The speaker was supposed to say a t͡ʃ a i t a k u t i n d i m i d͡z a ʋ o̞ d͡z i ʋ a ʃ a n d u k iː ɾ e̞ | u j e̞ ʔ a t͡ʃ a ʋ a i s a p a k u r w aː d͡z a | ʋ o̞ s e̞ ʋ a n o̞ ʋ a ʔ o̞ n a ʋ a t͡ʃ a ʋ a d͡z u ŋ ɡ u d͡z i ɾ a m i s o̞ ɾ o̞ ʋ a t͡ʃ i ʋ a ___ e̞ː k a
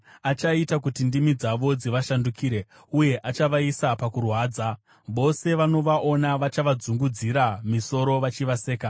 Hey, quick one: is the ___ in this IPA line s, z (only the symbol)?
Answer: s